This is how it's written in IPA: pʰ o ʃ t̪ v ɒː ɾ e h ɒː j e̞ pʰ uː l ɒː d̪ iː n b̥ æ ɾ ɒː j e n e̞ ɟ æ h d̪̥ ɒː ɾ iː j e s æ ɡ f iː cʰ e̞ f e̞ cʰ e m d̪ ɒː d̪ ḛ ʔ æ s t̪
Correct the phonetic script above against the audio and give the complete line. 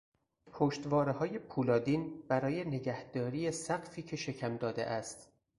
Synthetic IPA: pʰ o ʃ t̪ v ɒː ɾ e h ɒː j e̞ pʰ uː l ɒː d̪ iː n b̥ æ ɾ ɒː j e n e̞ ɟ æ h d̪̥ ɒː ɾ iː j e s æ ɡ f iː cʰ e̞ ʃ e̞ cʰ æ m d̪ ɒː d̪ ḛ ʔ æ s t̪